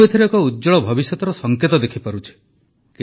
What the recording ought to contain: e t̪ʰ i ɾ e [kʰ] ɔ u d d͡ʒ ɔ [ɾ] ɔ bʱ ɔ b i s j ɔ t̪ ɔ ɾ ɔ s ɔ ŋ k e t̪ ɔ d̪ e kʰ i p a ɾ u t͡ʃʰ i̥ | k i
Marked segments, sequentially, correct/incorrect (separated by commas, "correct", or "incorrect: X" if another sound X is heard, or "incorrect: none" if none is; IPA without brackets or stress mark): incorrect: k, incorrect: ɭ